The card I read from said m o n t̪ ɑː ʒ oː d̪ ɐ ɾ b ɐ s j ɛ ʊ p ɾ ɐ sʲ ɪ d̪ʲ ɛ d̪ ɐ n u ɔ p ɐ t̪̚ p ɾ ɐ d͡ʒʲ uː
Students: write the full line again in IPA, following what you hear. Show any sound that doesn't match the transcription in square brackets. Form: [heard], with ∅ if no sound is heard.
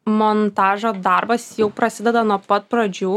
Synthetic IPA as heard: m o n t̪ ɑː ʒ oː d̪ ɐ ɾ b ɐ s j ɛ ʊ p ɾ ɐ sʲ ɪ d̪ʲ ɛ d̪ ɐ n u ɔ p ɐ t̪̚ p ɾ ɐ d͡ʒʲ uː